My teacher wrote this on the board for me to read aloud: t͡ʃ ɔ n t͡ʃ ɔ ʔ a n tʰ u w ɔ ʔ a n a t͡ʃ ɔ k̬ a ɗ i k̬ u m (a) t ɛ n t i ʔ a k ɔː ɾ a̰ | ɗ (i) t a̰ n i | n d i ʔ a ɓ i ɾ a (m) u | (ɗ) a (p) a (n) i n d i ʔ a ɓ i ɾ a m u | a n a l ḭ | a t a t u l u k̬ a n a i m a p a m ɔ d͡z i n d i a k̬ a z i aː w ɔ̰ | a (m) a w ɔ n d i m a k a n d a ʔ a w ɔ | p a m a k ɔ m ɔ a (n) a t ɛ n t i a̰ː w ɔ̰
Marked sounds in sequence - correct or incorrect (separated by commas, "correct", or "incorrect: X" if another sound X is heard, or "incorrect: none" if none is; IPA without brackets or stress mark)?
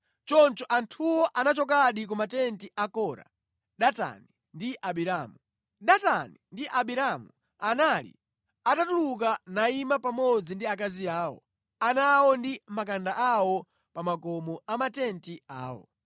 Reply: correct, incorrect: a, correct, correct, incorrect: t, correct, incorrect: n, incorrect: m